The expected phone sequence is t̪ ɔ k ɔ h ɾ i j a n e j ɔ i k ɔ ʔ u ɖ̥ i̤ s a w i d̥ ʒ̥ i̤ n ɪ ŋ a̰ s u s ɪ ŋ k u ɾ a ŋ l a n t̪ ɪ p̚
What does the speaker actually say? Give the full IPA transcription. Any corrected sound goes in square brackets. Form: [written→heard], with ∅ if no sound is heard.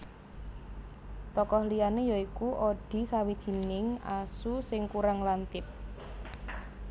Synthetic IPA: t̪ ɔ k ɔ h [ɾ→l] i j a n e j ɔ i k [ɔ→u] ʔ [u→o] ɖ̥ i̤ s a w i d̥ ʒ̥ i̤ n ɪ ŋ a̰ s u s ɪ ŋ k u ɾ a ŋ l a n t̪ ɪ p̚